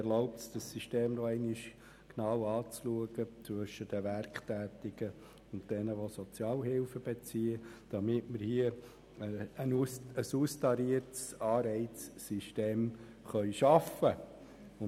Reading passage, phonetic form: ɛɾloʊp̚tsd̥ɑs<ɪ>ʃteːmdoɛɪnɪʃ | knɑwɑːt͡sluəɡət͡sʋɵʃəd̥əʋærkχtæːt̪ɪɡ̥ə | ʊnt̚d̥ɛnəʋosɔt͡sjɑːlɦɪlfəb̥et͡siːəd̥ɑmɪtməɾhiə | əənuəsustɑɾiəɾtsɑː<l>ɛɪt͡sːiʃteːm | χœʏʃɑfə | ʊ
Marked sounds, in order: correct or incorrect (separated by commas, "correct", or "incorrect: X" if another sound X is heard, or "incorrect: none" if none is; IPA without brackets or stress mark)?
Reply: incorrect: i, incorrect: ɾ